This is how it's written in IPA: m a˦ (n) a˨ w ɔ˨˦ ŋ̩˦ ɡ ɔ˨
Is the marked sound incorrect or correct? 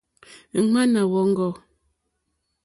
correct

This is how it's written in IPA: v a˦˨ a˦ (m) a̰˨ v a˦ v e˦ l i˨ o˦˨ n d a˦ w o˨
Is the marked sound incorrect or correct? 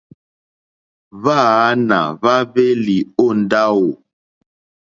incorrect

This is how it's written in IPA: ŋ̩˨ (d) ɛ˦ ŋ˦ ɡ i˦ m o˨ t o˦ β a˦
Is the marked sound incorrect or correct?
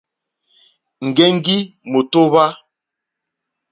incorrect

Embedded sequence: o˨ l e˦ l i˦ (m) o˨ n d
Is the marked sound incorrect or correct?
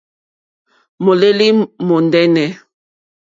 correct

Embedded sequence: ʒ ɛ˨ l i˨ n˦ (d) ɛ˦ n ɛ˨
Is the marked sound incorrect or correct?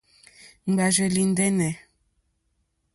correct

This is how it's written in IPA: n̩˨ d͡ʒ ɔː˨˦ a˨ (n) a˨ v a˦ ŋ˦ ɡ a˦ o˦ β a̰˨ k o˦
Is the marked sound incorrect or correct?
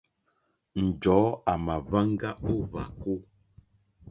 incorrect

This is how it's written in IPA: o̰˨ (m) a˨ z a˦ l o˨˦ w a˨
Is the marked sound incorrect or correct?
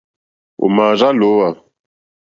correct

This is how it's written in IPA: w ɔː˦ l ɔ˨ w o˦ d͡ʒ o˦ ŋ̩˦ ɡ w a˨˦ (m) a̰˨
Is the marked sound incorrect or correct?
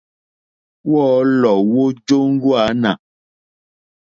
incorrect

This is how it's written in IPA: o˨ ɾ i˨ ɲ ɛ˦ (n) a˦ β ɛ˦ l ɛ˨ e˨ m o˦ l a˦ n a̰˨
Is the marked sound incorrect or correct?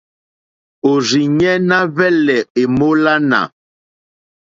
correct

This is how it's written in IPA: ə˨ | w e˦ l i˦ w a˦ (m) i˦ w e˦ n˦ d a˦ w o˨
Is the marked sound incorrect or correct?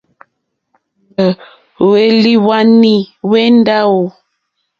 incorrect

